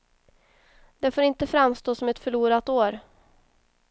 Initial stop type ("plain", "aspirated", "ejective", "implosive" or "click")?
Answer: plain